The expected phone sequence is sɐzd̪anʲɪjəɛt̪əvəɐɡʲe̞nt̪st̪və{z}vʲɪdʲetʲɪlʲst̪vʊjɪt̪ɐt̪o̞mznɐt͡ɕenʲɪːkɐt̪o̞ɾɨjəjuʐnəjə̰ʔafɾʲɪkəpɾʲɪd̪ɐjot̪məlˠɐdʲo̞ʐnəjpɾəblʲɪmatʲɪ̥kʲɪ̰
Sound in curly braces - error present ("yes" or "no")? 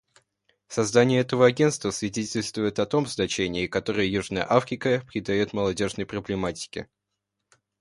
yes